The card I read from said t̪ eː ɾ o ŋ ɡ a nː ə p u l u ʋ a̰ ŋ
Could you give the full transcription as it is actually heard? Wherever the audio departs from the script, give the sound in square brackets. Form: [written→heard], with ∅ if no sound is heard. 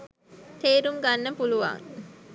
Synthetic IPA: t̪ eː ɾ [o→u] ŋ ɡ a nː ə p u l u ʋ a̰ ŋ